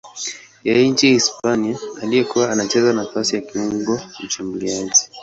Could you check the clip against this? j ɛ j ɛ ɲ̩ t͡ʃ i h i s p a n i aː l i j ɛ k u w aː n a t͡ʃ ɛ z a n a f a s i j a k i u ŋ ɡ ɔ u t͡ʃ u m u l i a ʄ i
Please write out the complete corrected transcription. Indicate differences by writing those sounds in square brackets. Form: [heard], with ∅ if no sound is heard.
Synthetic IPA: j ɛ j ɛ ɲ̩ t͡ʃ i h i s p a n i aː l i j ɛ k u w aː n a t͡ʃ ɛ z a n a f a s i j a k i u ŋ ɡ ɔ u t͡ʃ u m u l i a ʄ i